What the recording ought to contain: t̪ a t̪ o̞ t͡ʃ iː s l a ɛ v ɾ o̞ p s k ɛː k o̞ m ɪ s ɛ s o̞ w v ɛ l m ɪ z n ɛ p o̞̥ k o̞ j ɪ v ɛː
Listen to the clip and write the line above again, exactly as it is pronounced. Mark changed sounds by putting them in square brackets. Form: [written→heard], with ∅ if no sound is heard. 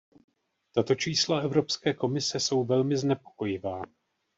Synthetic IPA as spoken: t̪ a t̪ o̞ t͡ʃ iː s l a ɛ v ɾ o̞ p s k ɛː k o̞ m ɪ s ɛ s o̞ w v ɛ l m ɪ z n ɛ p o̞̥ k o̞ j ɪ v [ɛː→aː]